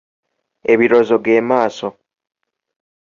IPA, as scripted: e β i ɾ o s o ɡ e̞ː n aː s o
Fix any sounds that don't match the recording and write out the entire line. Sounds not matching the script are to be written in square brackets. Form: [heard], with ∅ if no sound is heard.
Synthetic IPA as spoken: e β i ɾ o [z] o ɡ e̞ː [m] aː s o